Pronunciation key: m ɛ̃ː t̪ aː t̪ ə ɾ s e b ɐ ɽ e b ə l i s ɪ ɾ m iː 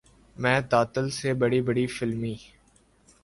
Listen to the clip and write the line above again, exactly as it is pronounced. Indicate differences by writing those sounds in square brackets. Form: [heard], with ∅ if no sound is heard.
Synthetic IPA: m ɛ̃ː t̪ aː t̪ ə [l] s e b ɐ ɽ [i] b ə [ɽ] i [f] ɪ [l] m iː